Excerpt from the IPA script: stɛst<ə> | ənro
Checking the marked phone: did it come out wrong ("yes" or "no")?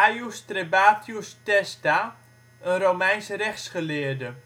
yes